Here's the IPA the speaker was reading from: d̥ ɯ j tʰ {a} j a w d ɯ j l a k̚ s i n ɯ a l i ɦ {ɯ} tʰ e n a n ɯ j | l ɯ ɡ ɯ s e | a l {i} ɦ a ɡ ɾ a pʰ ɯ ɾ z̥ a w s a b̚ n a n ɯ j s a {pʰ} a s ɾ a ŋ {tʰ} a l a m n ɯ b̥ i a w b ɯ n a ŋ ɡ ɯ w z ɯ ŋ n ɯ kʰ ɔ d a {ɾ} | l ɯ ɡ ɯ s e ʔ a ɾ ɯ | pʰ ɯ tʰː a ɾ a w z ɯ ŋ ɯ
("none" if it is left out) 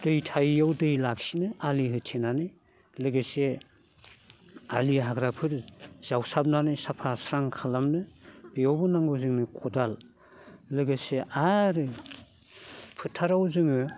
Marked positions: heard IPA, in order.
a, ɯ, i, pʰ, kʰ, l

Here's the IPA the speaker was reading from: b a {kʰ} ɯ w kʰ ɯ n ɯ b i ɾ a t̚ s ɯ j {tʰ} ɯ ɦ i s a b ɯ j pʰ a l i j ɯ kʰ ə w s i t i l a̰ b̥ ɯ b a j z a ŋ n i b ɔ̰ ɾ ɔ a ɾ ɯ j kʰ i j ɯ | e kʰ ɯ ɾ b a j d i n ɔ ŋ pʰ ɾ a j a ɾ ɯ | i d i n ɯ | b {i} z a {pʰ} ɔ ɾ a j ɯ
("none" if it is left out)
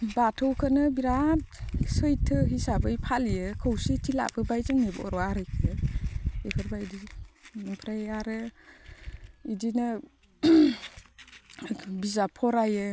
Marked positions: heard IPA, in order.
tʰ, tʰ, i, pʰ

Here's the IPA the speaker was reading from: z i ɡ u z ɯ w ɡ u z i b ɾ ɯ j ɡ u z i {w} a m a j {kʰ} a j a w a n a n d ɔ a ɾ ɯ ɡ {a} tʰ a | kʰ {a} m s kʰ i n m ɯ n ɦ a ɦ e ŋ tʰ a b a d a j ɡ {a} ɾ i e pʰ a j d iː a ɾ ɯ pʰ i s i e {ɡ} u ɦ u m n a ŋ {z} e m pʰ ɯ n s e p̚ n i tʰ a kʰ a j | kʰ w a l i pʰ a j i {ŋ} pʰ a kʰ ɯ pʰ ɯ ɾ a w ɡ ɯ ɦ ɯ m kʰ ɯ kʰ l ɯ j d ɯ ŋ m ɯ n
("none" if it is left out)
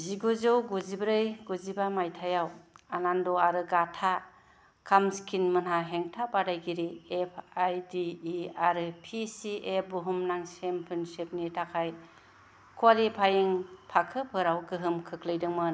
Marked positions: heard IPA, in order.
b, tʰ, a, a, i, b, s, ŋ

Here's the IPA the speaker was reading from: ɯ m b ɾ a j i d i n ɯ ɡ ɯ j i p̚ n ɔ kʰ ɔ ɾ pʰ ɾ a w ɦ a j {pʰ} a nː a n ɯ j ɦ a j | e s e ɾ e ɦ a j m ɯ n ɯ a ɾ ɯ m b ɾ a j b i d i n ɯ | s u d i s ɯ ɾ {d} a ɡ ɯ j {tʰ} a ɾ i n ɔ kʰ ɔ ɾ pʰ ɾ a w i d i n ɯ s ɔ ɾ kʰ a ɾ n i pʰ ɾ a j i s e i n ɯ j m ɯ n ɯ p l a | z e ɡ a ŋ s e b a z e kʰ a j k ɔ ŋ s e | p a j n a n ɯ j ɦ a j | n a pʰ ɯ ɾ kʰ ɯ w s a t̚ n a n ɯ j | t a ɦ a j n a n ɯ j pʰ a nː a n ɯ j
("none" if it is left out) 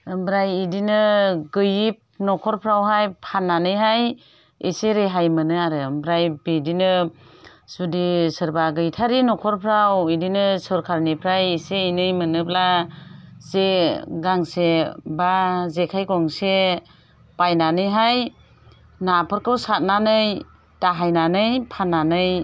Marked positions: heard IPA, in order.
pʰ, b, tʰ

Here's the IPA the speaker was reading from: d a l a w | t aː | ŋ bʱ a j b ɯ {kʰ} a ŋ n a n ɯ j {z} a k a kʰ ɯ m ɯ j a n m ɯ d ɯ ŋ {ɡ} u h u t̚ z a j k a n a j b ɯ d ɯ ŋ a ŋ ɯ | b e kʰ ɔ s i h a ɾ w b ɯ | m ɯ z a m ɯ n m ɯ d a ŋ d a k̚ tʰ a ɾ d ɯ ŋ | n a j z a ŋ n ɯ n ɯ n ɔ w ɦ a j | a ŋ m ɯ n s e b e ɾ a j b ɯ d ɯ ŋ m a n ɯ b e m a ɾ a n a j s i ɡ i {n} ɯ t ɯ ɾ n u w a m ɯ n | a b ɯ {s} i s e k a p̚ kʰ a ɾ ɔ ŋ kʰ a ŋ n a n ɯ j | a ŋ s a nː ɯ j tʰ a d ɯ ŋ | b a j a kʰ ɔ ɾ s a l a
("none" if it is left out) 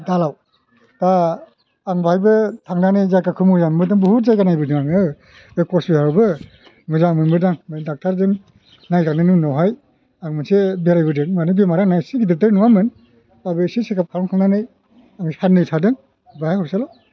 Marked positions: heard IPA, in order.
tʰ, z, b, d, s

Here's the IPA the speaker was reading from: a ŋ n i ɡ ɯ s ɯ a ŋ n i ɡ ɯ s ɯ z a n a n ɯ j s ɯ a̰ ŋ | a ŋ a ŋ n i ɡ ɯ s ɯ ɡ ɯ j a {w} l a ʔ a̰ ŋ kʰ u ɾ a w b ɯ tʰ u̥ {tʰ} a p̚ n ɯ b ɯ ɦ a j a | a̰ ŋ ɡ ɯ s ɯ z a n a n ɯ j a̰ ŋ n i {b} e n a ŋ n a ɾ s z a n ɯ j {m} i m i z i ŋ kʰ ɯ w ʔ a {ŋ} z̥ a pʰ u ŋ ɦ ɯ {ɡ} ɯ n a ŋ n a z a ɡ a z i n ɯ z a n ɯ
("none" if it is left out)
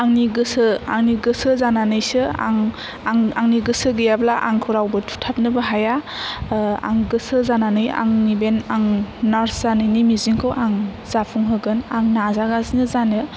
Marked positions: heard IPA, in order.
b, tʰ, b, n, ŋ, ɡ

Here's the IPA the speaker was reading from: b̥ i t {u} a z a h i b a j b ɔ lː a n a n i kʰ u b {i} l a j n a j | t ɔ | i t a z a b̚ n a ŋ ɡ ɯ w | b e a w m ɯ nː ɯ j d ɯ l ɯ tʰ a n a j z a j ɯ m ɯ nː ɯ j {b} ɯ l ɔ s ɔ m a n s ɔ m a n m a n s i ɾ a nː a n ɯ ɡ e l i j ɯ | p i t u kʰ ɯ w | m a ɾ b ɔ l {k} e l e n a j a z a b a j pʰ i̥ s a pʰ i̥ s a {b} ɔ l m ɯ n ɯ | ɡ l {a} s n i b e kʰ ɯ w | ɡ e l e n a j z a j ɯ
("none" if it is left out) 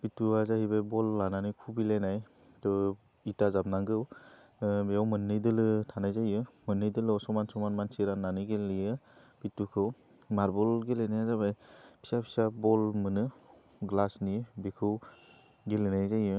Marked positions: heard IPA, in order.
u, i, d, ɡ, b, a

